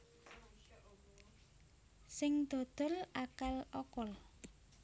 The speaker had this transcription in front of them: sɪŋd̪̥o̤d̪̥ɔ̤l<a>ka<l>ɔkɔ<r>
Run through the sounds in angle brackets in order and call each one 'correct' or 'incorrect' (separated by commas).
correct, correct, incorrect